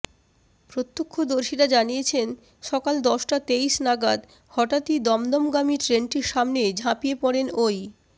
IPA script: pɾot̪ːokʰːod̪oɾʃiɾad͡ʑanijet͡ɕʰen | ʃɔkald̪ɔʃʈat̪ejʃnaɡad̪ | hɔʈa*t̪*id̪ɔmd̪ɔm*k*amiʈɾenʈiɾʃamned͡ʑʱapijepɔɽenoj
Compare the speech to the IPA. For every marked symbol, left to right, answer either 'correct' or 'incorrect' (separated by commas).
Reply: correct, incorrect